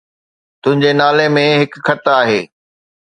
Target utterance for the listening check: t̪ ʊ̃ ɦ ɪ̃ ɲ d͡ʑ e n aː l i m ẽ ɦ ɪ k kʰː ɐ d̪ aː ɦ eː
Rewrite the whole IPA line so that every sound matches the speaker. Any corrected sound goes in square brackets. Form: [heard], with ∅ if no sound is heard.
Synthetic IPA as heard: t̪ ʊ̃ ɦ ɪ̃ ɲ d͡ʑ e n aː l [e] m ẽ ɦ ɪ k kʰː ɐ [t̪] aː ɦ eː